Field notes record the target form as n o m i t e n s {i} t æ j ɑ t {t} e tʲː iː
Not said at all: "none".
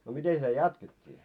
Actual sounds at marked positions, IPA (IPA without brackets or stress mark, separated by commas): i, k